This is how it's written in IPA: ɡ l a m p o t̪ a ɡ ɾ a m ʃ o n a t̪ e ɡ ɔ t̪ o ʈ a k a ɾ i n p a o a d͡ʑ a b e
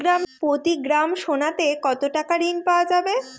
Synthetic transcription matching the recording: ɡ ɾ a m p o t̪ i ɡ ɾ a m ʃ o n a t̪ e k ɔ t̪ o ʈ a k a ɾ i n p a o a d͡ʑ a b e